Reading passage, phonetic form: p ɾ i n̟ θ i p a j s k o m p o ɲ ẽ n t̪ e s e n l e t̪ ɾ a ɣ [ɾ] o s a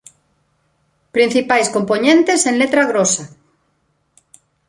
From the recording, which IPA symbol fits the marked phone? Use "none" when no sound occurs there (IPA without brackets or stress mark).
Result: ɾ